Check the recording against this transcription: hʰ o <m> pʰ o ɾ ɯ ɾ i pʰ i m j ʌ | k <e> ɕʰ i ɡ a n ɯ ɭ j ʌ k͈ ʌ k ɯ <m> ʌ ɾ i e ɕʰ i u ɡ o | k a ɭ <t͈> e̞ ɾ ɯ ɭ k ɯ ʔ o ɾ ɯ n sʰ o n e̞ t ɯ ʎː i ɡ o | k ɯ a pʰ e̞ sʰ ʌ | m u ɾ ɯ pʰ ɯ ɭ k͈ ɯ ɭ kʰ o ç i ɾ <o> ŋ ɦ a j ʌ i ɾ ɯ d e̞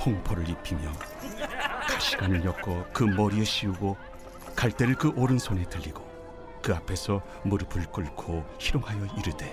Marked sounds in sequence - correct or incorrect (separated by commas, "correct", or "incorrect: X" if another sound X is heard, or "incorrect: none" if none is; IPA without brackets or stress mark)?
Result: incorrect: ŋ, incorrect: a, correct, correct, correct